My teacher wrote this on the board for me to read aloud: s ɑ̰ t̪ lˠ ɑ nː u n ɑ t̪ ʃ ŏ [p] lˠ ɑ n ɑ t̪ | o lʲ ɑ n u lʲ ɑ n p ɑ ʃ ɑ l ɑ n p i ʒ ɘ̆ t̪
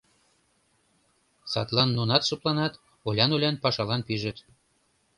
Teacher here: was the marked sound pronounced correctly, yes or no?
yes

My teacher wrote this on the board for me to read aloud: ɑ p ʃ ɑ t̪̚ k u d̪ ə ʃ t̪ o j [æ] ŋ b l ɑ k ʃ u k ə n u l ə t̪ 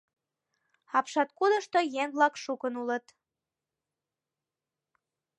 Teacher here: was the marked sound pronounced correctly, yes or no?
no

